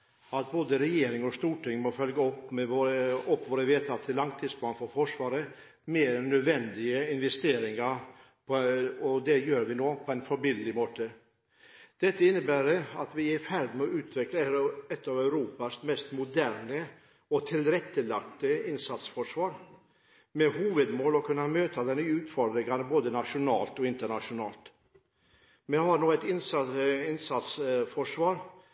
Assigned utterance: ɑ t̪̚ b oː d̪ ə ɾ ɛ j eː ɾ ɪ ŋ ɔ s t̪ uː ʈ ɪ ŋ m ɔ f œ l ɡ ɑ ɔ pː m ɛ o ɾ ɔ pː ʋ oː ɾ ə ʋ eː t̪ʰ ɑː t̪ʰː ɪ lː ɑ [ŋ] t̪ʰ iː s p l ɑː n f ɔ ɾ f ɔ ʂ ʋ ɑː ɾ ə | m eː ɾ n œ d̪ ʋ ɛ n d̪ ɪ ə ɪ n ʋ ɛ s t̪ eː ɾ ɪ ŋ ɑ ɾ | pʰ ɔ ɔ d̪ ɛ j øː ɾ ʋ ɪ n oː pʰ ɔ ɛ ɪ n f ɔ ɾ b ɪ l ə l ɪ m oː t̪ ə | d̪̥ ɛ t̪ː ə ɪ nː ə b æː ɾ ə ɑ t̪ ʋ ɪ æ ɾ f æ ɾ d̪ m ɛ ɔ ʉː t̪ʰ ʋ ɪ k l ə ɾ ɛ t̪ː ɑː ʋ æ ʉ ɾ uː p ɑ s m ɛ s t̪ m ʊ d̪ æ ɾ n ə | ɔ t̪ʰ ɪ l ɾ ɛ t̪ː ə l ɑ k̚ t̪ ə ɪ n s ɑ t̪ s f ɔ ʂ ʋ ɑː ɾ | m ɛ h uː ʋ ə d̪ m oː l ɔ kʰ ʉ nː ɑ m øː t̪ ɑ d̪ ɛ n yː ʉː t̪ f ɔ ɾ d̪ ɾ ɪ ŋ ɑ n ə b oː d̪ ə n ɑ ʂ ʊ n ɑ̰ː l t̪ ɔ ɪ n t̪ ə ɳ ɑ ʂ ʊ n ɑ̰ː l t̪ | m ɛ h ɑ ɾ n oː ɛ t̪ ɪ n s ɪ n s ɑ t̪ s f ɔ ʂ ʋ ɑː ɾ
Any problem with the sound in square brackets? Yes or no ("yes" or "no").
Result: no